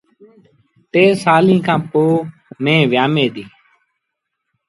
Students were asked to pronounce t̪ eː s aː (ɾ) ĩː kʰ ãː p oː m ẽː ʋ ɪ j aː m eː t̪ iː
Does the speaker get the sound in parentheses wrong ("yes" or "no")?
yes